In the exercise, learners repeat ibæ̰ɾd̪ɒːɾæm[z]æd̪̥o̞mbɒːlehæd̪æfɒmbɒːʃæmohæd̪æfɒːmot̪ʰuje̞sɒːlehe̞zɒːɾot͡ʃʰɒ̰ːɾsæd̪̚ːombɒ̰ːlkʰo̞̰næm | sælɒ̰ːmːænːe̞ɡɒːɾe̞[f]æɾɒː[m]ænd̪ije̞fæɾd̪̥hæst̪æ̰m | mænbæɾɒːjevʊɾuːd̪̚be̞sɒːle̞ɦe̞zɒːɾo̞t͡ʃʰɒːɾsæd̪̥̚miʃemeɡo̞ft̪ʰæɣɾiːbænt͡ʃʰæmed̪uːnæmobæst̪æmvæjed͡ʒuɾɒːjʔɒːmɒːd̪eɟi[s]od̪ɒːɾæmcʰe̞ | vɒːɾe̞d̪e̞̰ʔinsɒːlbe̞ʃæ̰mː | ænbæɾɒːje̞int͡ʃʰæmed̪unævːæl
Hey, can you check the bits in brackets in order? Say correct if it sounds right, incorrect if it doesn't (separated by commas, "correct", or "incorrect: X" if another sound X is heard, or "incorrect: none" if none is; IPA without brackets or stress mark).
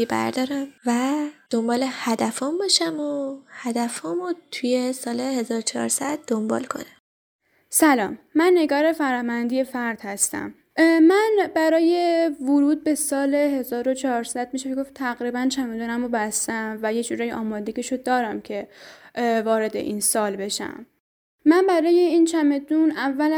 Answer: incorrect: v, correct, correct, incorrect: ʃ